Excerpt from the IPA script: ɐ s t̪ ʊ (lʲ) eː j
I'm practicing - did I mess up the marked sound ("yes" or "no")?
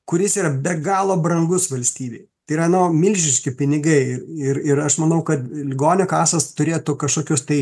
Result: yes